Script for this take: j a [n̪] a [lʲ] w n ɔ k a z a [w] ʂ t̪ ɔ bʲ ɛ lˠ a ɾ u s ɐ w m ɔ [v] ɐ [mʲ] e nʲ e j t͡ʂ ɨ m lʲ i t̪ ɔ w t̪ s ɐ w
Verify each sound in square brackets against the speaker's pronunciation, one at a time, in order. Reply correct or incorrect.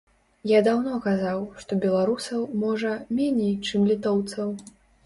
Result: incorrect, incorrect, correct, incorrect, correct

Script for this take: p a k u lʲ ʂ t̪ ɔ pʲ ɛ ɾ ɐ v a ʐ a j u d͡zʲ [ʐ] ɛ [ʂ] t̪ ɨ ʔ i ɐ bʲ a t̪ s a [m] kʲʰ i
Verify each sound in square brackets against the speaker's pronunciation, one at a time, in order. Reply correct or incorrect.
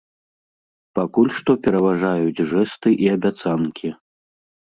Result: correct, incorrect, incorrect

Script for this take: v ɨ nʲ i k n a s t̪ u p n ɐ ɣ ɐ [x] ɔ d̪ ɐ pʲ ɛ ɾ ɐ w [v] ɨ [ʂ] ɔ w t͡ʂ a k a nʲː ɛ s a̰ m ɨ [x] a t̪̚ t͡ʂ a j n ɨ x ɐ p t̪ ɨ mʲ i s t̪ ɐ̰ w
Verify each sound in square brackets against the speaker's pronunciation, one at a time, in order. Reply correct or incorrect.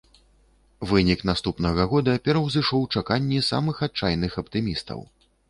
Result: incorrect, incorrect, correct, correct

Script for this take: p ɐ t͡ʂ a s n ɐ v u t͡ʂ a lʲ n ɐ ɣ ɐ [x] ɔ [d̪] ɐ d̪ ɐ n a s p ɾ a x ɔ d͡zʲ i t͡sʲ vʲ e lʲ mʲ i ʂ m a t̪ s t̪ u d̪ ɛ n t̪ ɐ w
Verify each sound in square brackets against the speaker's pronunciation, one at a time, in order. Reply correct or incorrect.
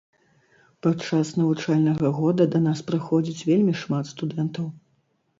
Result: incorrect, correct

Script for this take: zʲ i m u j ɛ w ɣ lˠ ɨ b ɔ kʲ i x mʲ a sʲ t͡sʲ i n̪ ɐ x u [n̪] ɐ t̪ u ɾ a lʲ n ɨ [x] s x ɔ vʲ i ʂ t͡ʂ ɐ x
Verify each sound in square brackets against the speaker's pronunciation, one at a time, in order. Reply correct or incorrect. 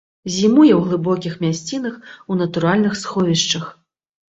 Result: correct, correct

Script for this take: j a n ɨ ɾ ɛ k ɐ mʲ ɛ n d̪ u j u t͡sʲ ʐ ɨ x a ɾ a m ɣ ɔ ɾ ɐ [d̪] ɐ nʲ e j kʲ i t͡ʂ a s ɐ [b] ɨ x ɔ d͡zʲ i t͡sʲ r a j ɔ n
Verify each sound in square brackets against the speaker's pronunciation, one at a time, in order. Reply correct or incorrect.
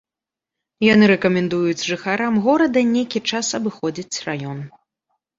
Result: correct, correct

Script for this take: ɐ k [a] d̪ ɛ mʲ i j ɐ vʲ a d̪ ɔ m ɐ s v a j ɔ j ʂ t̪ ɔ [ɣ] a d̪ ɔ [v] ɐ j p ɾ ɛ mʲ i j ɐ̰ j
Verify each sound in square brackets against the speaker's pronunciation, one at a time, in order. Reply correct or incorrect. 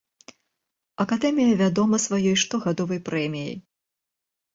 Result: correct, correct, correct

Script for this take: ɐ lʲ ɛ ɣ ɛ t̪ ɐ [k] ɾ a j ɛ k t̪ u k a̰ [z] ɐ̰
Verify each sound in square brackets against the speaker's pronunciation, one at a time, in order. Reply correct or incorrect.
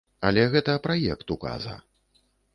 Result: incorrect, correct

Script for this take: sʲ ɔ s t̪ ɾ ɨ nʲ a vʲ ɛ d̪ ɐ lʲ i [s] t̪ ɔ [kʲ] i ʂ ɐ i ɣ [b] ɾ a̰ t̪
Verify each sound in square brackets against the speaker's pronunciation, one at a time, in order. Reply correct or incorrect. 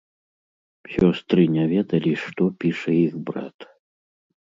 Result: incorrect, incorrect, correct

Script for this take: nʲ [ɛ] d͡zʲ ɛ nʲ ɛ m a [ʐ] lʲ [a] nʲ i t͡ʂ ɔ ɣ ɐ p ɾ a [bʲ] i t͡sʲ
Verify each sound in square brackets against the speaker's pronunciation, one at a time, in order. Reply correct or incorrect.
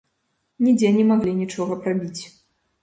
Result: incorrect, incorrect, incorrect, correct

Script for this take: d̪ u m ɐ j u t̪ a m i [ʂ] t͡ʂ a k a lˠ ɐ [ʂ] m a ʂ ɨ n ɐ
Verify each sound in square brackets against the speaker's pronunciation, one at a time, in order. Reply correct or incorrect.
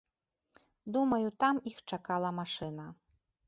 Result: incorrect, incorrect

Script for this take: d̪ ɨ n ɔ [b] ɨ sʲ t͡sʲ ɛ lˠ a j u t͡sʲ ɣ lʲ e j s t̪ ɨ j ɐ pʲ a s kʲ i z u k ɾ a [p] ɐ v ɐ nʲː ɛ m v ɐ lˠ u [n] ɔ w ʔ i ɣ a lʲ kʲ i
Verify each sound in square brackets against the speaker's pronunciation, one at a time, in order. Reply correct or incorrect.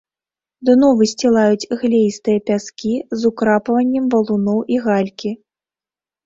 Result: incorrect, correct, correct

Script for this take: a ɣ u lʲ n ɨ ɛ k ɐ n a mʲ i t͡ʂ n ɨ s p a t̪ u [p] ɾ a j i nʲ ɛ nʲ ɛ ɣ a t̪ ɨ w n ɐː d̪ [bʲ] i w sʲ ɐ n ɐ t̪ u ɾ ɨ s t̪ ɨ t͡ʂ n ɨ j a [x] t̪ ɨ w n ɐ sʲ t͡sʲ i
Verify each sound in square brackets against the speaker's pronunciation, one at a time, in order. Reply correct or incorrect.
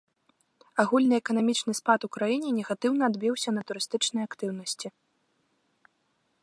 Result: incorrect, correct, incorrect

